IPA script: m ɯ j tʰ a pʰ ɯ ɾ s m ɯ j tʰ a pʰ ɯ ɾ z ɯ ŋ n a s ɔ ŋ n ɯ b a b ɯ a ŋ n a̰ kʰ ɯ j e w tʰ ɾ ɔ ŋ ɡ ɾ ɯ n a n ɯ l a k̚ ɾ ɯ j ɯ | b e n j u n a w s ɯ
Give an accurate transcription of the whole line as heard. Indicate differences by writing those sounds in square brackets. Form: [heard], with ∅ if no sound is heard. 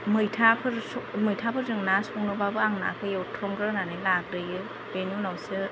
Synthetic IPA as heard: m ɯ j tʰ a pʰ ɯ ɾ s m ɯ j tʰ a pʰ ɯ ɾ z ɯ ŋ n a s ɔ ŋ n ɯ b a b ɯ a ŋ n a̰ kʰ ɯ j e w tʰ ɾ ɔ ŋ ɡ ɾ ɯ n a n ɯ l a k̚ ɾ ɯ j ɯ | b e n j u n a w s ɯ